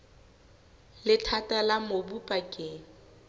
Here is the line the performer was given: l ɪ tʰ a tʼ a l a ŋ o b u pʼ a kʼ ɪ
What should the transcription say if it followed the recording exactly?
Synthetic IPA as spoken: l ɪ tʰ a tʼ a l a m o b u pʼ a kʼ ɪ